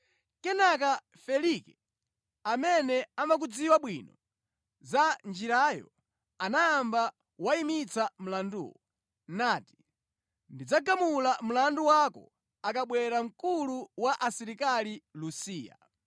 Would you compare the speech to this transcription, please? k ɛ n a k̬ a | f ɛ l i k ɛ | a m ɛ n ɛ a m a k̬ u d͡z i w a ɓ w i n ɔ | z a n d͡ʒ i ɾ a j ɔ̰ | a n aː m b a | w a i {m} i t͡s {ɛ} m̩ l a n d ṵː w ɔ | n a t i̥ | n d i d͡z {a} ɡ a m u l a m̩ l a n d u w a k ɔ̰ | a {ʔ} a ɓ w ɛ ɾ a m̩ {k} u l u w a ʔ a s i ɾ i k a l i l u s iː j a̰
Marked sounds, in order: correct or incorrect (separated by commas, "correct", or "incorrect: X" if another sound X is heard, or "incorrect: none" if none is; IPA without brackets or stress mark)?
correct, incorrect: a, correct, incorrect: k, correct